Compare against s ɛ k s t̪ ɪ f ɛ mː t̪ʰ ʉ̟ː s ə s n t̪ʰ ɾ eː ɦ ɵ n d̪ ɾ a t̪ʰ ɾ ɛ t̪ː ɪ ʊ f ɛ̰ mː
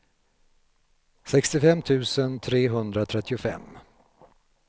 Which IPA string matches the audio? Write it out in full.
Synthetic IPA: s ɛ k s t̪ ɪ f ɛ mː t̪ʰ ʉ̟ː s ə n t̪ʰ ɾ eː ɦ ɵ n d̪ ɾ a t̪ʰ ɾ ɛ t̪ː ɪ ʊ f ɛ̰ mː